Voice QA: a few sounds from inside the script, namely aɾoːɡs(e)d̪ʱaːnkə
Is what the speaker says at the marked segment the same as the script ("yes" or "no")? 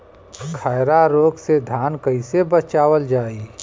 yes